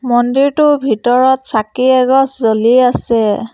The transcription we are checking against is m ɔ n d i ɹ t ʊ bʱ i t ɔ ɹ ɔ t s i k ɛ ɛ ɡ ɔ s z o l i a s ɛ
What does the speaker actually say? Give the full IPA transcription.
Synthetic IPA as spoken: m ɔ n d i ɹ t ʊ bʱ i t ɔ ɹ ɔ t s a k i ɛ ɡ ɔ s z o l i a s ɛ